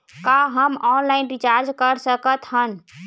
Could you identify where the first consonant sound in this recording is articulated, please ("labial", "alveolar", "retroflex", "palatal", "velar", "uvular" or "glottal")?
velar